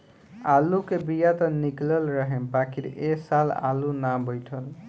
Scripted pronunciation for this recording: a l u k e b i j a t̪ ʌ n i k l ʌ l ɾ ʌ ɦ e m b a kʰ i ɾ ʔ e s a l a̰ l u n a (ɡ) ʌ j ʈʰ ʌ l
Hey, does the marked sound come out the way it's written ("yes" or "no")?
no